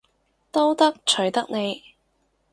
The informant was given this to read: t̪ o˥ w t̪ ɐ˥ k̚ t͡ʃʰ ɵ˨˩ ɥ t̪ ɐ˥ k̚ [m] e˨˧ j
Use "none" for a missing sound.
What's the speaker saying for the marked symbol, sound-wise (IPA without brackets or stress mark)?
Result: n